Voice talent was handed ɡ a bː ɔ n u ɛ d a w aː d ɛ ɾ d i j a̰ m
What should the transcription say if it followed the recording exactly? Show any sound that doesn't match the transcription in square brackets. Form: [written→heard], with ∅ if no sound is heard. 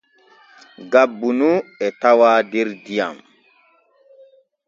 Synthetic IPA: ɡ a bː [ɔ→u] n u ɛ [d→t] a w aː d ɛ ɾ d i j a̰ m